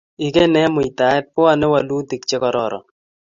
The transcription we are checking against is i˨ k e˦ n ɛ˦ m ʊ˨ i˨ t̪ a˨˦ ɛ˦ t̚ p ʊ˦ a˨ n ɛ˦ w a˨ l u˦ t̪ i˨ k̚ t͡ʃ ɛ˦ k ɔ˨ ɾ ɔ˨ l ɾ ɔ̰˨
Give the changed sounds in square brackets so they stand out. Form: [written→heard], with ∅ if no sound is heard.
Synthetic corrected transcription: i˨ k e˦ n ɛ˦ m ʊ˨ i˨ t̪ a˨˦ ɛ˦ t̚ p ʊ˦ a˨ n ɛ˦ w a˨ l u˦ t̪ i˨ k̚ t͡ʃ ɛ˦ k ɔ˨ ɾ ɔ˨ [l→∅] ɾ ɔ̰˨